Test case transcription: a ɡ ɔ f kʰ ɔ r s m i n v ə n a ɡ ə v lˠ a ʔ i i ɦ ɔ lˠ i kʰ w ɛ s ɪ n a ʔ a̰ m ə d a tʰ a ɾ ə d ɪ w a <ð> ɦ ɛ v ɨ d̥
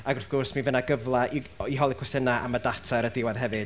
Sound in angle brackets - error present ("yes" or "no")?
no